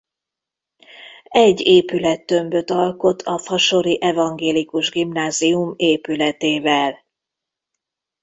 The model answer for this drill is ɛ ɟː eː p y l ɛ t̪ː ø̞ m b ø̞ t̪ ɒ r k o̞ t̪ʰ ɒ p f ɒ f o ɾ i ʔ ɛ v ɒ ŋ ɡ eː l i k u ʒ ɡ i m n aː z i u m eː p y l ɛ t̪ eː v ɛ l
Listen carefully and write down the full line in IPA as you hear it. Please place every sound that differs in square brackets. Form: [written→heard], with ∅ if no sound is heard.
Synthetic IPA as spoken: ɛ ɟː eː p y l ɛ t̪ː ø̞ m b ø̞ t̪ ɒ [r→l] k o̞ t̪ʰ ɒ [p→∅] f ɒ [f→ʃ] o ɾ i ʔ ɛ v ɒ ŋ ɡ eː l i k u ʒ ɡ i m n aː z i u m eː p y l ɛ t̪ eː v ɛ l